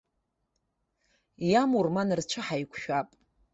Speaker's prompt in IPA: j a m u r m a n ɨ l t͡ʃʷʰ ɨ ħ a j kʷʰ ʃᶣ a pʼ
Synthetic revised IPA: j a m u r m a n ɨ r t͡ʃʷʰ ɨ ħ a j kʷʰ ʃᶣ a pʼ